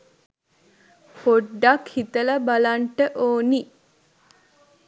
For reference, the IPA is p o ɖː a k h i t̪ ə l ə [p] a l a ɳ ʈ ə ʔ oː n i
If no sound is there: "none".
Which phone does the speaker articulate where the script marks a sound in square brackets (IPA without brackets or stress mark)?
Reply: b